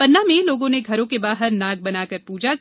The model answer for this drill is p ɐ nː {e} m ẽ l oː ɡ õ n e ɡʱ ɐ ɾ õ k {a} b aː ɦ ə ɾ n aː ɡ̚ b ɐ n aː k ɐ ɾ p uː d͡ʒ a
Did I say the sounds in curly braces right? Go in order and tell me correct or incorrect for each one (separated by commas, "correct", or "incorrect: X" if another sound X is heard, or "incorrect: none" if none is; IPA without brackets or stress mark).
incorrect: a, incorrect: e